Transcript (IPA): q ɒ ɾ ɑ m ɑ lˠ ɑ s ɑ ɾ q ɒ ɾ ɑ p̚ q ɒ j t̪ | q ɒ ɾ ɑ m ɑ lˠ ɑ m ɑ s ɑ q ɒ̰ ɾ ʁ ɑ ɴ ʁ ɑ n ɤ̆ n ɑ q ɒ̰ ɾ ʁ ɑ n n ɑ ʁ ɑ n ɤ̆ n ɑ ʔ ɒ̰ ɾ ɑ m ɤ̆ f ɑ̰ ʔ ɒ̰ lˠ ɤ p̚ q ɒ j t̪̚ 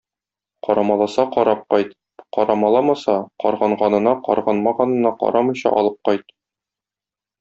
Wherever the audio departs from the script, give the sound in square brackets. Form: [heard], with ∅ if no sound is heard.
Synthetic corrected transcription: q ɒ ɾ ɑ m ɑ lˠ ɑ s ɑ [∅] q ɒ ɾ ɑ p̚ q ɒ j t̪ | q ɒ ɾ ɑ m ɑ lˠ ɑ m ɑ s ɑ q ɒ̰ ɾ ʁ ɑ ɴ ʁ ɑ n ɤ̆ n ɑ q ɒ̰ ɾ ʁ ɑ n [m] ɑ ʁ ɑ n ɤ̆ n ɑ [q] ɒ̰ ɾ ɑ m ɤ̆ [ɕ] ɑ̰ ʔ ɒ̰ lˠ ɤ p̚ q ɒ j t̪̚